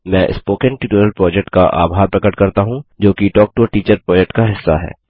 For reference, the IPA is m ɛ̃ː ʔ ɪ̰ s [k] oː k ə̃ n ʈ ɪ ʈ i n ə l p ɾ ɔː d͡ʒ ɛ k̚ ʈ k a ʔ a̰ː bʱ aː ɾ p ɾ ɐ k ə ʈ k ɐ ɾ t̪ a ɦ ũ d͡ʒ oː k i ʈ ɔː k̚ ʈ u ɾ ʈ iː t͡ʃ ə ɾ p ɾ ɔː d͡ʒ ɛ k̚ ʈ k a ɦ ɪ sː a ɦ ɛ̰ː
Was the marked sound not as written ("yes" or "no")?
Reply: yes